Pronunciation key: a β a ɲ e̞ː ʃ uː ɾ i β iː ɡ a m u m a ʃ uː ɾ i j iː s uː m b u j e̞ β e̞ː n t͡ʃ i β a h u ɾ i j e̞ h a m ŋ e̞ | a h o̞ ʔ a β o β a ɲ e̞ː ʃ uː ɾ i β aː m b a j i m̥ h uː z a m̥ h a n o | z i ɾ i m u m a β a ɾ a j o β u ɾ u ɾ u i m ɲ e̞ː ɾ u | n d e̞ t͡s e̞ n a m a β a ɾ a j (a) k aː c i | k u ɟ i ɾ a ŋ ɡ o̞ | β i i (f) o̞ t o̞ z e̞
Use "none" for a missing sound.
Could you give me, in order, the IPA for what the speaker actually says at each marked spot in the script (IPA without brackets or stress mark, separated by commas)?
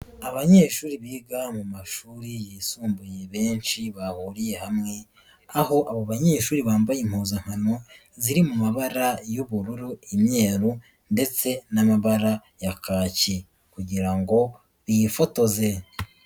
a, f